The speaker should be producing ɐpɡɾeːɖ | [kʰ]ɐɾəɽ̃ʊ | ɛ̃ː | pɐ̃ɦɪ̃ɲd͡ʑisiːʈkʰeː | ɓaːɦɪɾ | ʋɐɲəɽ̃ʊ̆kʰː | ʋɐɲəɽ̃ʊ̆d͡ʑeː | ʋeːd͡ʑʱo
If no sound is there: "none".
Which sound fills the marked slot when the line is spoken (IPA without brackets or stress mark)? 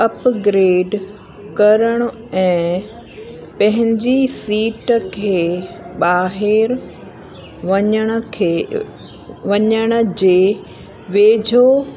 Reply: k